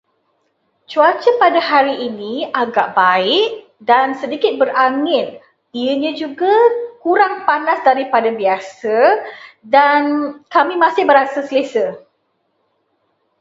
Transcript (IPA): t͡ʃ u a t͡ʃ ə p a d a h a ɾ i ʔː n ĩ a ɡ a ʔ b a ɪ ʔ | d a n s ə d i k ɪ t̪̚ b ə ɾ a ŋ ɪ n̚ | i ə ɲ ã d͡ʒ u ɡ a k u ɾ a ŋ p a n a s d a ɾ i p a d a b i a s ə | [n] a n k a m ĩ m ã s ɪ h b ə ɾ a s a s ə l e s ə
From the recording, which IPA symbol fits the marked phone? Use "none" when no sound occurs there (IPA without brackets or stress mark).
d